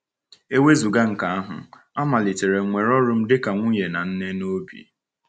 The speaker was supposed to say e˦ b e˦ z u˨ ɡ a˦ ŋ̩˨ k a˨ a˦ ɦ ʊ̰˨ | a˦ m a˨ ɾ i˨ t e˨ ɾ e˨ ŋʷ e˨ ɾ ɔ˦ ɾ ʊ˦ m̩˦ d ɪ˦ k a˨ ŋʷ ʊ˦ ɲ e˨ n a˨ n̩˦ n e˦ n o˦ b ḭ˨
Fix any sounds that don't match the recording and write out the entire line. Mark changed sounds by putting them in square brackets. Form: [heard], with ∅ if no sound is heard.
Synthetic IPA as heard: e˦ [w] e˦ z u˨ ɡ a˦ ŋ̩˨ k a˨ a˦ ɦ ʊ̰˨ | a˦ m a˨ [l] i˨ t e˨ ɾ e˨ ŋʷ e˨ ɾ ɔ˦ ɾ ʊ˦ m̩˦ d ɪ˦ k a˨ ŋʷ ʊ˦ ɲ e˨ n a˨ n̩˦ n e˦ n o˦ b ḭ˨